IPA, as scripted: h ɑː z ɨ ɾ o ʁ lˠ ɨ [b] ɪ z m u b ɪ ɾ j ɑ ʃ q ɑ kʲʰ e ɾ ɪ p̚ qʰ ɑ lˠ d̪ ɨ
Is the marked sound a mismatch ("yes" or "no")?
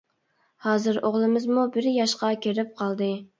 yes